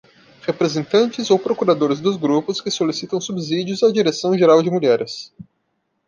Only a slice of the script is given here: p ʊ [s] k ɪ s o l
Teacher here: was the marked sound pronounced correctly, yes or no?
yes